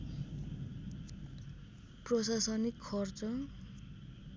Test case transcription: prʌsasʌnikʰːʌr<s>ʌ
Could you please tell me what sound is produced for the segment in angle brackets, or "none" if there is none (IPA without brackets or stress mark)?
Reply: t͡s